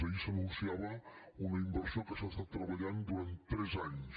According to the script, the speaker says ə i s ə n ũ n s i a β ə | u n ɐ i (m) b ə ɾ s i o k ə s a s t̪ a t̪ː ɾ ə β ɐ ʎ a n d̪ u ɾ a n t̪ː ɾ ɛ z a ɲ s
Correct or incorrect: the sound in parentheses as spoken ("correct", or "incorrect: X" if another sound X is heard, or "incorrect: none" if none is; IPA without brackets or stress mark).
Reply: correct